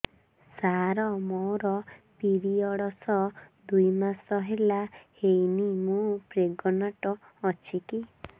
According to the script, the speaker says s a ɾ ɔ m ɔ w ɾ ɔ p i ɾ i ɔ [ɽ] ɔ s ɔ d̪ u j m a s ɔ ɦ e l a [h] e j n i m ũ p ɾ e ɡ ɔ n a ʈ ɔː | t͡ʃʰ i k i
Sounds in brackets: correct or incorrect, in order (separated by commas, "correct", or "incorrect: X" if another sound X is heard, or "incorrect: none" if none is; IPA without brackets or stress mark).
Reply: correct, correct